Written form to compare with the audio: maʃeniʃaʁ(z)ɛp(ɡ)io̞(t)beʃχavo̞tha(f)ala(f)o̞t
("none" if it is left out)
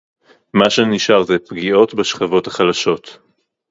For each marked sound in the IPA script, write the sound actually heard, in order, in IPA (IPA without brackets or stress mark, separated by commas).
z, ɡ, t, χ, ʃ